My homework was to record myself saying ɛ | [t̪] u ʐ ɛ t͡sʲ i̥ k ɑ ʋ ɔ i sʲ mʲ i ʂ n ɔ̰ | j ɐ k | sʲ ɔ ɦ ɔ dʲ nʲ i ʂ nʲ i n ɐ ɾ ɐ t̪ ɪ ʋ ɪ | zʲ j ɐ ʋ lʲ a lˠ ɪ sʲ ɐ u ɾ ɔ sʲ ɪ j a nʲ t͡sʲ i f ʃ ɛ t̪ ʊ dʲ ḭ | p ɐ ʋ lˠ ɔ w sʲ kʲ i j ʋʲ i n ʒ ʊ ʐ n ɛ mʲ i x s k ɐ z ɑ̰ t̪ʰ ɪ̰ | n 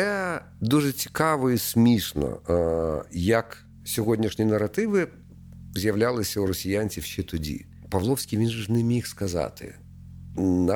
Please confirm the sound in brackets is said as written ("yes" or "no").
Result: no